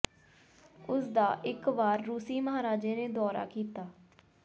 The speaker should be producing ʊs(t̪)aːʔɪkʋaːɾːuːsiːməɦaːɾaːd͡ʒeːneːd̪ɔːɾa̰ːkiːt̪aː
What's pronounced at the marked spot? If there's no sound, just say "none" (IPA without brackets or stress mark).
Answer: d̪